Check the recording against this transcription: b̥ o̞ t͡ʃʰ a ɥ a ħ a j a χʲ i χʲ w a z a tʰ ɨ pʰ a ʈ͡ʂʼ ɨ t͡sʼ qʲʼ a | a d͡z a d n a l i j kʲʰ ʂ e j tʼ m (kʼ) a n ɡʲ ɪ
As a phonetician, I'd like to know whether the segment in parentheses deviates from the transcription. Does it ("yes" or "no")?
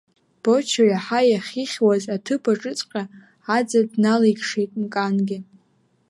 no